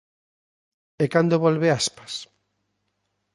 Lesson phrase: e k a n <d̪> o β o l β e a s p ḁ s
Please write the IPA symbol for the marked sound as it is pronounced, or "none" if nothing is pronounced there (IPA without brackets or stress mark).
d̪